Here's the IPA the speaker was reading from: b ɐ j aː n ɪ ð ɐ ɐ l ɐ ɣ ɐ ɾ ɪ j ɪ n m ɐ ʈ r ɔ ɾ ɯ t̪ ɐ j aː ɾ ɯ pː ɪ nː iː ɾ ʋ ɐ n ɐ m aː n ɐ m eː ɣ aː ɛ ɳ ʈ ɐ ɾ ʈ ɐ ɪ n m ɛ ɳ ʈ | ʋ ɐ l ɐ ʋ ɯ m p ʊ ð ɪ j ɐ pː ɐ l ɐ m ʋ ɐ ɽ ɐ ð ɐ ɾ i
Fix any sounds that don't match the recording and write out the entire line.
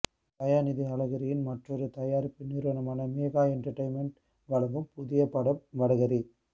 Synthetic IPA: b ɐ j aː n ɪ ð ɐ ɐ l ɐ ɣ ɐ ɾ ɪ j ɪ n m ɐ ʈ r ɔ ɾ ɯ t̪ ɐ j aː ɾ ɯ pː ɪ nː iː ɾ ʋ ɐ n ɐ m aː n ɐ m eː ɣ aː ɛ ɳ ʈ ɐ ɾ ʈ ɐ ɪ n m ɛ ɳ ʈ | ʋ ɐ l ɐ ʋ ɯ m p ʊ ð ɪ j ɐ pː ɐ ɽ ɐ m ʋ ɐ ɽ ɐ ɣ ɐ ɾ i